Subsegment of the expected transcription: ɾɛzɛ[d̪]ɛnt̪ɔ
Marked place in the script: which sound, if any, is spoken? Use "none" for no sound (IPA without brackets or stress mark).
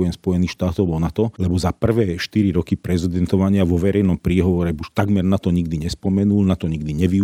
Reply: d̪